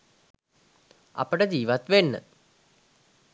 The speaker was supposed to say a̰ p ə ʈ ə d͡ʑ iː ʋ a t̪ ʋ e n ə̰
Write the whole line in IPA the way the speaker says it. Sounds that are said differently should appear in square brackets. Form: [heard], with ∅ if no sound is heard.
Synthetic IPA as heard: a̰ p ə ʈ ə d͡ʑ iː ʋ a t̪ ʋ e [nː] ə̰